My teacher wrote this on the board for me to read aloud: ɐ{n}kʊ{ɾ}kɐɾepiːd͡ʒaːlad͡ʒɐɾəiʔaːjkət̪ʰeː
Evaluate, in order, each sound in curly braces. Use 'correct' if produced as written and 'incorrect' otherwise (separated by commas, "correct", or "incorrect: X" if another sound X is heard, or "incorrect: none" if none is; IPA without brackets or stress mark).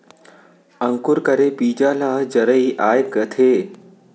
incorrect: ŋ, correct